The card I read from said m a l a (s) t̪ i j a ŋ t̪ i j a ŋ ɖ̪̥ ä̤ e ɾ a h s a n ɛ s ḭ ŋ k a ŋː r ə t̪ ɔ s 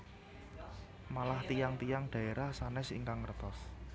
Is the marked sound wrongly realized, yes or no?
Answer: yes